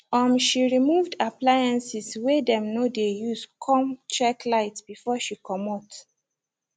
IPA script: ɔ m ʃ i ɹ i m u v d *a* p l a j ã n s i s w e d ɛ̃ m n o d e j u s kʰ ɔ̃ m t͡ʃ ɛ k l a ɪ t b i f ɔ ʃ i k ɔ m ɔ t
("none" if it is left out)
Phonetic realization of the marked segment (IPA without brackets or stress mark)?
a